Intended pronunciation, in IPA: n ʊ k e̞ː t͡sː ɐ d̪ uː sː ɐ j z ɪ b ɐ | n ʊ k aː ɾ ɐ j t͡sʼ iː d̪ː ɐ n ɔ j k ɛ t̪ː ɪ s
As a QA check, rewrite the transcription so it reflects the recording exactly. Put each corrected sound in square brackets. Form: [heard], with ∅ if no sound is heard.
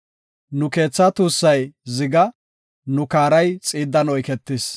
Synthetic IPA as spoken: n ʊ k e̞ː t͡sː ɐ [t̪] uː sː ɐ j z ɪ [ɡ] ɐ | n ʊ k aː ɾ ɐ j t͡sʼ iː d̪ː ɐ n ɔ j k ɛ t̪ː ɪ s